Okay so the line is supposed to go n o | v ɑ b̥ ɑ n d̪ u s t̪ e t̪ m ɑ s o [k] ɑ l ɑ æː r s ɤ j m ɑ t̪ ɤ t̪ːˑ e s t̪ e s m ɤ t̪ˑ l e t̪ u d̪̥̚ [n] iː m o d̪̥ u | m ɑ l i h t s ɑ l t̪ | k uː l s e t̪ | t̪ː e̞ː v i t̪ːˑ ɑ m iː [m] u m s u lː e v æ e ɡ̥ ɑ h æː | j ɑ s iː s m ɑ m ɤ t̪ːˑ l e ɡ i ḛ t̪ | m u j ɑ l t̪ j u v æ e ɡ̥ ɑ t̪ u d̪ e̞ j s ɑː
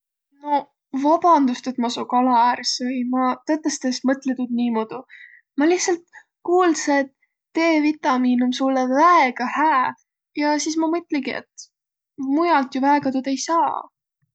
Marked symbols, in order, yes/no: yes, yes, no

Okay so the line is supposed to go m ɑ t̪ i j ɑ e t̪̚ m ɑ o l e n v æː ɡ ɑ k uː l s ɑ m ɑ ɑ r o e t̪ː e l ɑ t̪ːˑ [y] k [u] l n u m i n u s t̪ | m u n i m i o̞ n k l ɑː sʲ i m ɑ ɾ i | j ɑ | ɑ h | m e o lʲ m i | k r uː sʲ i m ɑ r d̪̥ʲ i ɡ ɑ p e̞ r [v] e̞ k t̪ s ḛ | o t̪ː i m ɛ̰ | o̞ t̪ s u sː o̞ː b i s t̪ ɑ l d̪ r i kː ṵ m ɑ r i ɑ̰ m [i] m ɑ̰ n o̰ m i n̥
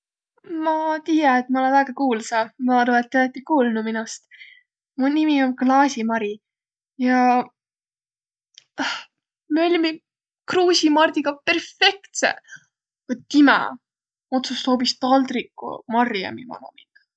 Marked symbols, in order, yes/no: no, no, no, yes

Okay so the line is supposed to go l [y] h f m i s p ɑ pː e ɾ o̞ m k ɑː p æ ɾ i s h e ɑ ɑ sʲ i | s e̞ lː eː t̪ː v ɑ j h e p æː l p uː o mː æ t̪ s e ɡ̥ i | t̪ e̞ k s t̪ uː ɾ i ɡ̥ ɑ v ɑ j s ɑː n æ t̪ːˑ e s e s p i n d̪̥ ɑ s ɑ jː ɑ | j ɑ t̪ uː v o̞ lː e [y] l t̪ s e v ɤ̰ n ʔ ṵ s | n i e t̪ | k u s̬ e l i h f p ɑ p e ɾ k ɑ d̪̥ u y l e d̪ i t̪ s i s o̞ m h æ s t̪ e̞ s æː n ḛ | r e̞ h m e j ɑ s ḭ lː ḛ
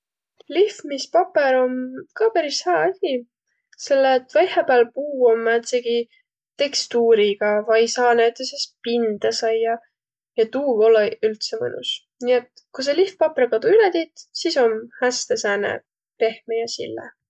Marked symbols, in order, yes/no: no, yes

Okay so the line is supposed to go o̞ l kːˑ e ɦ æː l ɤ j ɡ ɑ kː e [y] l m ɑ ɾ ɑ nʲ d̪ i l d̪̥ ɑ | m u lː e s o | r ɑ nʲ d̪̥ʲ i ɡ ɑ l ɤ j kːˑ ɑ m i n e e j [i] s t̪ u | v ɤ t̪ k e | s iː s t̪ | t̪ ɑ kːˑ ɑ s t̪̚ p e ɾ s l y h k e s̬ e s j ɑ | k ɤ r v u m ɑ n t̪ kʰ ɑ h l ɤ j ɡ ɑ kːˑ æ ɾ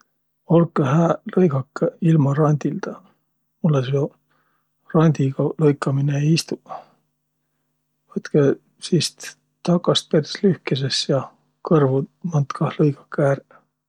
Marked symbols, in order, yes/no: no, yes

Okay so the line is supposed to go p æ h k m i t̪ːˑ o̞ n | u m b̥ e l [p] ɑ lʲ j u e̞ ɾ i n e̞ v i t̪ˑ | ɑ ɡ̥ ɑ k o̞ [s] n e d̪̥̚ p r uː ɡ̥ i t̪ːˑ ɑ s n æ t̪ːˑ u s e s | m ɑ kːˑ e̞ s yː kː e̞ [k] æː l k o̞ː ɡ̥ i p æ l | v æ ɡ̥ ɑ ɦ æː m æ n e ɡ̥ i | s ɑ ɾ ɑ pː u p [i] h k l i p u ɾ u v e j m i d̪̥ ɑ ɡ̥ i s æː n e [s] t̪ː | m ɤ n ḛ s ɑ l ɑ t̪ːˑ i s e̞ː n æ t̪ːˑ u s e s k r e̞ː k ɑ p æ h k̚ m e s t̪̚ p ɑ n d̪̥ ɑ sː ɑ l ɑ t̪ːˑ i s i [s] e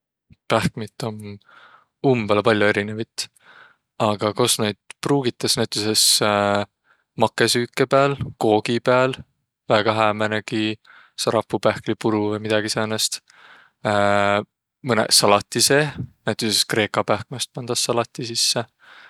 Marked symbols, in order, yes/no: yes, yes, no, no, yes, no

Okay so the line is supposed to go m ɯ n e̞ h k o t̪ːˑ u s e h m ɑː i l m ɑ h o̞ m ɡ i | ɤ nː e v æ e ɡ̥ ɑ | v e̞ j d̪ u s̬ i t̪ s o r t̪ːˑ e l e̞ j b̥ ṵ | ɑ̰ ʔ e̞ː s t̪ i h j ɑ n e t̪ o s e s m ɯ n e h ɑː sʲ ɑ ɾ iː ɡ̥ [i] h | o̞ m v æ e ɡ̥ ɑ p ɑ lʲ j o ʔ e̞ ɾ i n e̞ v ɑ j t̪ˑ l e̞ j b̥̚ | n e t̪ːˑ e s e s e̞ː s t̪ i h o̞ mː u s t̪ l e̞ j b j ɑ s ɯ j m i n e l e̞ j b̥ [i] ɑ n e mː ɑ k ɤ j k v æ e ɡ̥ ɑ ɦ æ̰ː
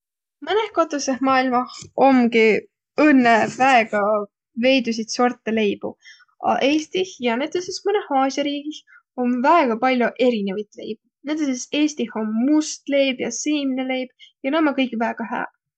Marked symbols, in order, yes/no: yes, no

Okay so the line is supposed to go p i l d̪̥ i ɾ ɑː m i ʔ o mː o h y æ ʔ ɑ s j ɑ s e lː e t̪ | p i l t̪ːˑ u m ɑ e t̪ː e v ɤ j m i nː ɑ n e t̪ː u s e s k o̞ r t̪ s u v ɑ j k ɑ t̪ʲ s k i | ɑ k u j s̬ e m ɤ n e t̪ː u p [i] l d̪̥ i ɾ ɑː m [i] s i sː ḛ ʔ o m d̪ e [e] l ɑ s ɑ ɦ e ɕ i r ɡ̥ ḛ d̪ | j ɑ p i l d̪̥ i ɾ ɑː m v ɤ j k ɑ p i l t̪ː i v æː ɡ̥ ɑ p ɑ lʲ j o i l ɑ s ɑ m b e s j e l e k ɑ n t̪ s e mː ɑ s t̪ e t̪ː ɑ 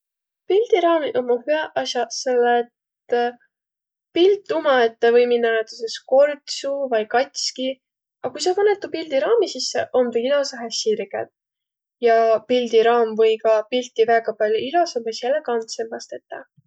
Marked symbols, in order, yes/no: yes, yes, no

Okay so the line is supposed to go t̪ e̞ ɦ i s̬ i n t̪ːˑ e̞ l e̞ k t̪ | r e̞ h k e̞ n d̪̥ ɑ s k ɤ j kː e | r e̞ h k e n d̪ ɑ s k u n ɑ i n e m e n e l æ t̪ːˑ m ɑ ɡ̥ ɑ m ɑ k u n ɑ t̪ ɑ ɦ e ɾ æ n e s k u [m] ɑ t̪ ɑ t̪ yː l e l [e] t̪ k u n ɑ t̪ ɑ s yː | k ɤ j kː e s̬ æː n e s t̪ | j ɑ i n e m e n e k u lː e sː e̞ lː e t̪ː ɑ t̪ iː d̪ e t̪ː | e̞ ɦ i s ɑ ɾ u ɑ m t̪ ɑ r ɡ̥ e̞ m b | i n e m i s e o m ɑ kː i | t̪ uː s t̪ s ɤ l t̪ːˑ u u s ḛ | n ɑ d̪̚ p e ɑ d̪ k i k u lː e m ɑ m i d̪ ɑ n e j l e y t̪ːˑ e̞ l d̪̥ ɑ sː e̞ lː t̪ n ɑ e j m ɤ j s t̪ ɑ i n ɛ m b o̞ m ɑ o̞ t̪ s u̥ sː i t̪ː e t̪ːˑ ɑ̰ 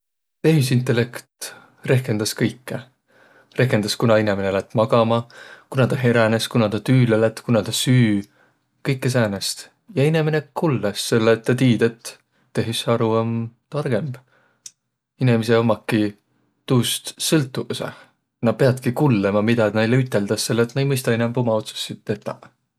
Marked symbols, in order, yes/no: no, no

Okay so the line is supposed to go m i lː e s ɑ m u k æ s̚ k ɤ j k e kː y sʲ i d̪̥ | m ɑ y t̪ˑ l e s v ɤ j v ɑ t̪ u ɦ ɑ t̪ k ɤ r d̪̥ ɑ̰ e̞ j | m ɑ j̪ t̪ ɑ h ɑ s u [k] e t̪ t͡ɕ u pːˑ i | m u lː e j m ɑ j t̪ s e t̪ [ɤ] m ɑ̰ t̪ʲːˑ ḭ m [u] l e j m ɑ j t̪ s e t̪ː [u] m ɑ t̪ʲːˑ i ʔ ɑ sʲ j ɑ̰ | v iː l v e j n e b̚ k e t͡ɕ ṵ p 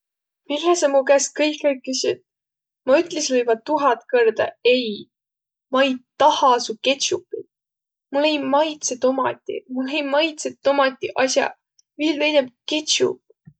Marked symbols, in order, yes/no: yes, no, yes, no

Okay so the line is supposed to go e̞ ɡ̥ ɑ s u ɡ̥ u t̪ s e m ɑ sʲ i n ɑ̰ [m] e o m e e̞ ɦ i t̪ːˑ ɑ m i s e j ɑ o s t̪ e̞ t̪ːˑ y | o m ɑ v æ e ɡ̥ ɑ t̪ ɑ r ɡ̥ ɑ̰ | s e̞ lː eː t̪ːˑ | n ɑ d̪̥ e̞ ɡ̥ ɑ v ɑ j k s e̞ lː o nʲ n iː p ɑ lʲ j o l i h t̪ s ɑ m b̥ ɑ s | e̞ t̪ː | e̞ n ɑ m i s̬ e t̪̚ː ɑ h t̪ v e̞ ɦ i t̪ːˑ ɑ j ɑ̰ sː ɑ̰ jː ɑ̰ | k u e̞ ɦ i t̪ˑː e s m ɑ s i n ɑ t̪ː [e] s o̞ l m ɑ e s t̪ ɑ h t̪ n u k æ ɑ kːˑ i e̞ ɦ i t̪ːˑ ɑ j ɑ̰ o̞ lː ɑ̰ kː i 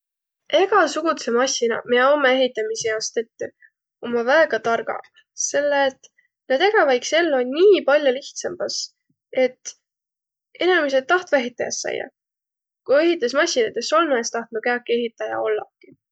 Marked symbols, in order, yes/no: yes, yes

